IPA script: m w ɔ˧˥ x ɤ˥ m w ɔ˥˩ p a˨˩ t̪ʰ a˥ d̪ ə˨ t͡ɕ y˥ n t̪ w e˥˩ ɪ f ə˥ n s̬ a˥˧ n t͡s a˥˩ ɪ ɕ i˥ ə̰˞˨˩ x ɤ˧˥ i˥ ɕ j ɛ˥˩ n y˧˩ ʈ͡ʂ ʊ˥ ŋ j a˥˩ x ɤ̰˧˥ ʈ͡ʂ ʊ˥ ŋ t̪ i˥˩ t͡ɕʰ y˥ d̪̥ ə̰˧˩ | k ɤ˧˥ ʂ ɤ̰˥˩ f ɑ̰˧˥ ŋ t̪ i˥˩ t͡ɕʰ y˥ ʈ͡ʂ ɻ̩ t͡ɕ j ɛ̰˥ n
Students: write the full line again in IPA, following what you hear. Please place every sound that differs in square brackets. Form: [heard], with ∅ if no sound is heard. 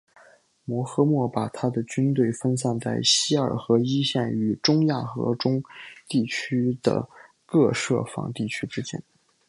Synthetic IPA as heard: m w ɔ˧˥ x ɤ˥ m w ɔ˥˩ p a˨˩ t̪ʰ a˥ d̪ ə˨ t͡ɕ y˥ n t̪ w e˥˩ ɪ f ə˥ n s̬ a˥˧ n t͡s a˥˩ ɪ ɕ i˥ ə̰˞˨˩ x ɤ˧˥ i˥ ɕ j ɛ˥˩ n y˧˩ ʈ͡ʂ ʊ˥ ŋ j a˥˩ x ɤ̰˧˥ ʈ͡ʂ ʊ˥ ŋ t̪ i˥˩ t͡ɕʰ y˥ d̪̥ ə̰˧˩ | k [ɤ˥˧] ʂ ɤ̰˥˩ f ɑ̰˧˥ ŋ t̪ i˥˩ t͡ɕʰ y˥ ʈ͡ʂ ɻ̩ t͡ɕ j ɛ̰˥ n

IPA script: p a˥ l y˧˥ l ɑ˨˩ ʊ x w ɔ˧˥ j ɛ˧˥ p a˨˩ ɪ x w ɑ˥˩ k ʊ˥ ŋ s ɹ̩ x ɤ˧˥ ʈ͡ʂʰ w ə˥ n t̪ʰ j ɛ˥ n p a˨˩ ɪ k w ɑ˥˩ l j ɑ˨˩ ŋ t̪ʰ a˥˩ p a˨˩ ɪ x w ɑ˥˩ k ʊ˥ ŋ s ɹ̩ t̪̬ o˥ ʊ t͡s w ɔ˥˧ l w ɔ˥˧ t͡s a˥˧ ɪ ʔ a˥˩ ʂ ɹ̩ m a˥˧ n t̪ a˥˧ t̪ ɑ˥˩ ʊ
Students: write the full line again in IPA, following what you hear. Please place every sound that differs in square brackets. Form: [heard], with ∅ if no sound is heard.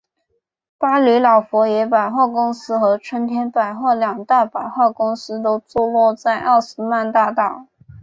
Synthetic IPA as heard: p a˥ l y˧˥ l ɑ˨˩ ʊ [f] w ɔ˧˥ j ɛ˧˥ p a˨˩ ɪ x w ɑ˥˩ k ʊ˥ ŋ s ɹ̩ x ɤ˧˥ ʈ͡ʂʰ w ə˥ n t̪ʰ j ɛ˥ n p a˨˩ ɪ [x] w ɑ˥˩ l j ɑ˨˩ ŋ [t̪] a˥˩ p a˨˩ ɪ x w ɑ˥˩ k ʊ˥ ŋ s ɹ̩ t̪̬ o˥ ʊ t͡s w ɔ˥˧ l w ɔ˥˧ t͡s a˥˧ ɪ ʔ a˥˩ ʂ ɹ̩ m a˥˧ n t̪ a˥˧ t̪ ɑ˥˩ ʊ

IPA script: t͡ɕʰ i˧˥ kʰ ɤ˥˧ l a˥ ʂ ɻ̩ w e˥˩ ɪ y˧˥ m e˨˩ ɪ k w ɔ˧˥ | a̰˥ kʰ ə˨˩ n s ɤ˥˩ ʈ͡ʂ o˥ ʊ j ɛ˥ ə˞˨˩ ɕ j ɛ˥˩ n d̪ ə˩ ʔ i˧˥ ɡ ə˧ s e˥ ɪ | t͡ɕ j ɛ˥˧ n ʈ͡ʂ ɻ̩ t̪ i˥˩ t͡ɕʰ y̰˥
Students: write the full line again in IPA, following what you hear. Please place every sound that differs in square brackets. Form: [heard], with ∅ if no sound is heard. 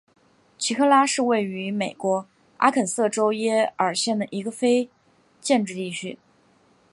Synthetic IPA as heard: t͡ɕʰ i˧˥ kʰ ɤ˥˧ l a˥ ʂ ɻ̩ w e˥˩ ɪ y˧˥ m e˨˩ ɪ k w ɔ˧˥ | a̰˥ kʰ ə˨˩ n s ɤ˥˩ ʈ͡ʂ o˥ ʊ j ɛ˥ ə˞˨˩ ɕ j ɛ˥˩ n d̪ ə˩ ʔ i˧˥ ɡ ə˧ [f] e˥ ɪ | t͡ɕ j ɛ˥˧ n ʈ͡ʂ ɻ̩ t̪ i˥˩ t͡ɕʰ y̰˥

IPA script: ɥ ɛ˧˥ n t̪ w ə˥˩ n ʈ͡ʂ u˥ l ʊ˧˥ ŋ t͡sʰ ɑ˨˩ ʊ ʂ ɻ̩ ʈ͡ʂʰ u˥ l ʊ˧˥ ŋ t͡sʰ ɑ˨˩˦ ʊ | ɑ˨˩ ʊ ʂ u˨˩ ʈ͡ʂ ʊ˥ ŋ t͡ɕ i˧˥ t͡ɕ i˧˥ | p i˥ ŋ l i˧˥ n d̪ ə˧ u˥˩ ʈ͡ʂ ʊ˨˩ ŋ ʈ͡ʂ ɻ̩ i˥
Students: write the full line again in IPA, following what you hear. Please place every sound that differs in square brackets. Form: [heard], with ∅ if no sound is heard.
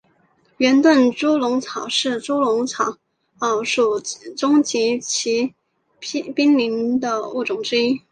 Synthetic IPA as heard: ɥ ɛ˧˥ n t̪ w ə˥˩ n ʈ͡ʂ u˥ l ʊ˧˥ ŋ t͡sʰ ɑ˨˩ ʊ ʂ ɻ̩ [ʈ͡ʂ] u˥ l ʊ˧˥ ŋ t͡sʰ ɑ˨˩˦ ʊ | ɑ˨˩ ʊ ʂ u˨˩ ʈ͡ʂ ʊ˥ ŋ t͡ɕ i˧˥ [t͡ɕʰ] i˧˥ | p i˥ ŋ l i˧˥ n d̪ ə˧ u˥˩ ʈ͡ʂ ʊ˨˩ ŋ ʈ͡ʂ ɻ̩ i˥

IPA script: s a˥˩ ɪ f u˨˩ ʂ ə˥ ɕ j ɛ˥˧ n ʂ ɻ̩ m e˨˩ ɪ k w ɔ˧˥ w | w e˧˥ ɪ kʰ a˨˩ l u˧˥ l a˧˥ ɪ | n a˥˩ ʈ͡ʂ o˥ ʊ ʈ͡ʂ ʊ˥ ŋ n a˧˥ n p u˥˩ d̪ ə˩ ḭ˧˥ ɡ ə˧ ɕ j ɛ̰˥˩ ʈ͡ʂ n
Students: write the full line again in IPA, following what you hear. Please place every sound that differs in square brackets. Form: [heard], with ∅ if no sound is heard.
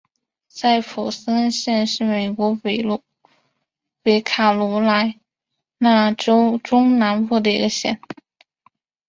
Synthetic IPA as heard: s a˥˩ ɪ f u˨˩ [s] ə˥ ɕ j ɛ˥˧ n ʂ ɻ̩ m e˨˩ ɪ k w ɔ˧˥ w | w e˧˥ ɪ kʰ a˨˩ l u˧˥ l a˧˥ ɪ | n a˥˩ ʈ͡ʂ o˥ ʊ ʈ͡ʂ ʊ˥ ŋ n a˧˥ n p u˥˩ d̪ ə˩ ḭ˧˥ ɡ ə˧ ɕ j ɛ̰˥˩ [∅] n

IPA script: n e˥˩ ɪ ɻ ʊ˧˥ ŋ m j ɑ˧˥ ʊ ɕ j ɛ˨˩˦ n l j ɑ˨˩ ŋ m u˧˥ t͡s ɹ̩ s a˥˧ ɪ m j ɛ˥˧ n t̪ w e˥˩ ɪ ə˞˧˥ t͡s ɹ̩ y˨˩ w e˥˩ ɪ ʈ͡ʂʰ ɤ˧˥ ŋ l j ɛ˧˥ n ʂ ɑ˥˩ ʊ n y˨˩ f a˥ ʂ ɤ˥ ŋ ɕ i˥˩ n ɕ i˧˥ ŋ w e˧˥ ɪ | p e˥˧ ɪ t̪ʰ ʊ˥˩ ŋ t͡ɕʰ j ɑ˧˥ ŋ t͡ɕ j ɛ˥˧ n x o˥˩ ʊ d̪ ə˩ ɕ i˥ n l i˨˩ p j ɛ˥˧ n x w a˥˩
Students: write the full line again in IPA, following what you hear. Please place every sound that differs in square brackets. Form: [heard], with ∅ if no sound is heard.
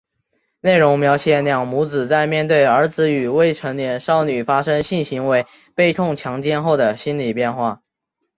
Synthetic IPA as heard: n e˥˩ ɪ ɻ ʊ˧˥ ŋ m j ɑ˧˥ ʊ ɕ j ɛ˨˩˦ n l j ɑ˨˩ ŋ m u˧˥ t͡s ɹ̩ [t͡s] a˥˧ ɪ m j ɛ˥˧ n t̪ w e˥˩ ɪ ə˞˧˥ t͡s ɹ̩ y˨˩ w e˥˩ ɪ ʈ͡ʂʰ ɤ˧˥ ŋ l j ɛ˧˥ n ʂ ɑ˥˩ ʊ n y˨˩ f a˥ ʂ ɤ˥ ŋ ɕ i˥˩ n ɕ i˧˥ ŋ w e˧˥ ɪ | p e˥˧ ɪ t̪ʰ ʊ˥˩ ŋ t͡ɕʰ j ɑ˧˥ ŋ t͡ɕ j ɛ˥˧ n x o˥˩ ʊ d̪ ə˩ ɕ i˥ n l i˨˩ p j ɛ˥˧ n x w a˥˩

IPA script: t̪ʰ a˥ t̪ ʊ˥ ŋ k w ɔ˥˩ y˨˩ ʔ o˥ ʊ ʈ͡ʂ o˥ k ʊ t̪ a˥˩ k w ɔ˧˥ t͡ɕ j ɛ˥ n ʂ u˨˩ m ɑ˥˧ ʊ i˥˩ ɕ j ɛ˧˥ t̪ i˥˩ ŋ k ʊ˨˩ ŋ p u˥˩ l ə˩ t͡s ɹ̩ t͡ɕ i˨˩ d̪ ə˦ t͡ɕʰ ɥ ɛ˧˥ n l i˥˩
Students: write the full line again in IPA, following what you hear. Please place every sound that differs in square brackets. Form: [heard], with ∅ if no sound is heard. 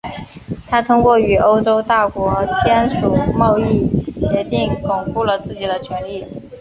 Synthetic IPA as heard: t̪ʰ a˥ [t̪ʰ] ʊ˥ ŋ k w ɔ˥˩ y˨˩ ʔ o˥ ʊ ʈ͡ʂ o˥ [∅] ʊ t̪ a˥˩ k w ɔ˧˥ [t͡ɕʰ] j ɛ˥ n ʂ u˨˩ m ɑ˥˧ ʊ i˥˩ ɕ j ɛ˧˥ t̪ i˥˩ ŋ k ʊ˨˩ ŋ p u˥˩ l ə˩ t͡s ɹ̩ t͡ɕ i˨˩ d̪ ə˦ t͡ɕʰ ɥ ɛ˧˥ n l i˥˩

